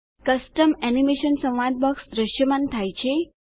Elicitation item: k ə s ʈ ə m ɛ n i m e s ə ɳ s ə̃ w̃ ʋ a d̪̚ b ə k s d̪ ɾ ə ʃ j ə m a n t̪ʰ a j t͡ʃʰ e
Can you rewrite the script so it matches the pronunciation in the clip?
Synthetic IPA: k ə s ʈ ə m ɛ n i m e ʃ ə n s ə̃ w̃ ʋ a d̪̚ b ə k s d̪ ɾ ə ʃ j ə m a n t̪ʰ a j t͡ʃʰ e